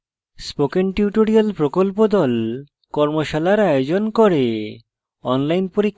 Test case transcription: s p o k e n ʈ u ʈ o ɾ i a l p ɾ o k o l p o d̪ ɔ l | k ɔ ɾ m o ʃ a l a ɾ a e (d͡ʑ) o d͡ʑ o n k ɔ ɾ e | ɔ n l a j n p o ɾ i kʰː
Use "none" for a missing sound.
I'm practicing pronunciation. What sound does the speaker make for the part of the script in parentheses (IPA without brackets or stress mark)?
none